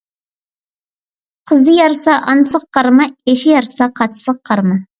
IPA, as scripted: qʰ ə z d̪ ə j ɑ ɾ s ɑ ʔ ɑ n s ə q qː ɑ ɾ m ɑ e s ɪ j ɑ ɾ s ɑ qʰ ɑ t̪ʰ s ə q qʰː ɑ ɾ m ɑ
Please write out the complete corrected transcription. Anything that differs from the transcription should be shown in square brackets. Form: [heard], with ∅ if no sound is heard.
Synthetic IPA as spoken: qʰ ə z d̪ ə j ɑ ɾ s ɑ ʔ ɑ n s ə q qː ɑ ɾ m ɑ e [ʃ] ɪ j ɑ ɾ s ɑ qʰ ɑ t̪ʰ s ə q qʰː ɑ ɾ m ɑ